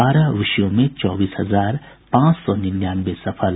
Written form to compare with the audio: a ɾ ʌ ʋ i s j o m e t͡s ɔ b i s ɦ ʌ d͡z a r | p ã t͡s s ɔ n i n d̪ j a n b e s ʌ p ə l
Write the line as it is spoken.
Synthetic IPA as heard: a ɾ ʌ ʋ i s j o m e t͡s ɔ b i s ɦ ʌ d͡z a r | p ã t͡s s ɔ n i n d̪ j a n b e s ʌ pʰ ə l